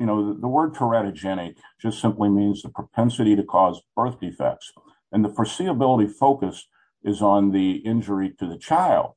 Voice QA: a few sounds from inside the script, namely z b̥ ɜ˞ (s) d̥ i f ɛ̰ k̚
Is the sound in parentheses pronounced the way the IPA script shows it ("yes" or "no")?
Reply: no